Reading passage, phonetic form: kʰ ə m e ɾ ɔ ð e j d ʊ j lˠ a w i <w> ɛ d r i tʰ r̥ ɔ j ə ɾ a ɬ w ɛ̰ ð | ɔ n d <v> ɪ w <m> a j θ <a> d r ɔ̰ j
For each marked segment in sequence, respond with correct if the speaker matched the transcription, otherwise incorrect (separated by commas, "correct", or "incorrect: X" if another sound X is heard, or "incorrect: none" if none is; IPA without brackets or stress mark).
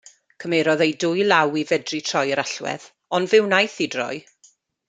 incorrect: v, correct, incorrect: n, incorrect: i